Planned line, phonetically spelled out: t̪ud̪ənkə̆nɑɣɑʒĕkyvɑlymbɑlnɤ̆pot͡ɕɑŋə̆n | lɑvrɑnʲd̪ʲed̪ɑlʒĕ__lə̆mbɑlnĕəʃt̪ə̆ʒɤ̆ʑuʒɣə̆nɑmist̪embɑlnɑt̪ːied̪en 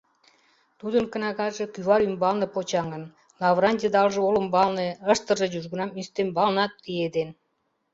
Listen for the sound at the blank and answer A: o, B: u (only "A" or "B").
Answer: A